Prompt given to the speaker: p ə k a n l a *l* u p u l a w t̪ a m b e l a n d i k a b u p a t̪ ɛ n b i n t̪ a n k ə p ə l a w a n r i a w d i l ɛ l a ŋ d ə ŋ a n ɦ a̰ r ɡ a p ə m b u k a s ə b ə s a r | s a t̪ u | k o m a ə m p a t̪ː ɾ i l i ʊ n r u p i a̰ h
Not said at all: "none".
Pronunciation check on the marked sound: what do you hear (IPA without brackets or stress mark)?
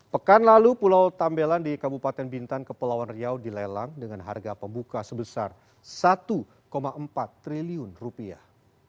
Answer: l